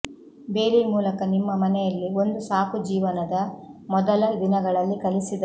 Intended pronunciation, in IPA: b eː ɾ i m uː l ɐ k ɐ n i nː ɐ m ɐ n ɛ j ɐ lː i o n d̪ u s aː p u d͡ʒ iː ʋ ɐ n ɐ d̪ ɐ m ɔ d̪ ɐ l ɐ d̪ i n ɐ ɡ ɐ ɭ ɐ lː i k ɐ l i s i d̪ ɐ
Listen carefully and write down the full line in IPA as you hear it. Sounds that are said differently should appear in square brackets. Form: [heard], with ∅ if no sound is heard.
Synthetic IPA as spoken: b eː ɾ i m uː l ɐ k ɐ n i [mː] ɐ m ɐ n ɛ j ɐ lː i o n d̪ u s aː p u d͡ʒ iː ʋ ɐ n ɐ d̪ ɐ m ɔ d̪ ɐ l ɐ d̪ i n ɐ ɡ ɐ ɭ ɐ lː i k ɐ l i s i d̪ ɐ